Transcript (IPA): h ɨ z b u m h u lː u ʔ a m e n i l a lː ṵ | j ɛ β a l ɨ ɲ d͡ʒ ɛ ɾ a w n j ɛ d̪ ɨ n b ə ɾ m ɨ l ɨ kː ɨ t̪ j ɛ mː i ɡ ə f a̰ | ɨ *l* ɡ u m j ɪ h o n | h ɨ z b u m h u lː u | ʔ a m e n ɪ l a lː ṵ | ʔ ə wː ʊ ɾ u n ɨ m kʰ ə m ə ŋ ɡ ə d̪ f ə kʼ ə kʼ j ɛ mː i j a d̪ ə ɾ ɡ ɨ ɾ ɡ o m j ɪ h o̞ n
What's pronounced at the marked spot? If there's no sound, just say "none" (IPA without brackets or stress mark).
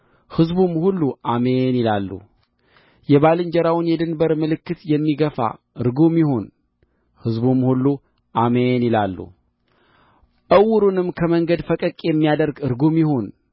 ɾ